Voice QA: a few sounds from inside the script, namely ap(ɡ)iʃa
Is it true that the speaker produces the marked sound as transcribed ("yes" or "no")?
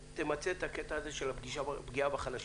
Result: yes